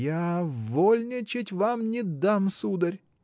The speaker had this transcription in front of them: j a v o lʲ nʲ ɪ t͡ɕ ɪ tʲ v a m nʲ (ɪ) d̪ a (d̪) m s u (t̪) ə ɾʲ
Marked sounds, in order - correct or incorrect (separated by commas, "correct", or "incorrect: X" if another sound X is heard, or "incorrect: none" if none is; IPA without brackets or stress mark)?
correct, incorrect: none, incorrect: d̪